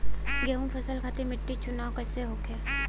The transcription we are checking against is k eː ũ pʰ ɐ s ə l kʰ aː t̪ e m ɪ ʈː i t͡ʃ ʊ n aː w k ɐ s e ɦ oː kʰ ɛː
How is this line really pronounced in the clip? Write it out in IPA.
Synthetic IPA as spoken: ɡ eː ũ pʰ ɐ s ə l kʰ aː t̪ e m ɪ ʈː i t͡ʃ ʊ n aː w k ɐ s e ɦ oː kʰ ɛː